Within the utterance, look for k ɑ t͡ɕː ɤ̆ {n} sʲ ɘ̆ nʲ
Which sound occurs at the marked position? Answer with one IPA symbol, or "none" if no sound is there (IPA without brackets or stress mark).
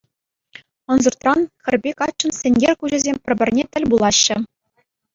n